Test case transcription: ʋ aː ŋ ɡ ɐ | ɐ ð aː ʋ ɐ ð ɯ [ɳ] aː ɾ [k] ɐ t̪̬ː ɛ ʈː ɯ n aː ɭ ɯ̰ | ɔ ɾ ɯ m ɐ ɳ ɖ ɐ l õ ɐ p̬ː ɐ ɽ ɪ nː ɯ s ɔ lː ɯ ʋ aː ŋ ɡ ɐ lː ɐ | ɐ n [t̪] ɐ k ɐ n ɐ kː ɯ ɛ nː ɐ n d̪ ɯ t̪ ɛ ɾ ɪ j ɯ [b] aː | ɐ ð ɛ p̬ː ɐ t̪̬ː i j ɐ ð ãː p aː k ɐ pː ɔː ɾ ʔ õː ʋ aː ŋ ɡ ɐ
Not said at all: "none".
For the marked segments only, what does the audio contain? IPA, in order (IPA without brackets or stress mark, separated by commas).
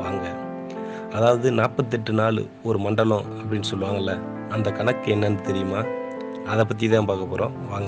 n, p, d̪, m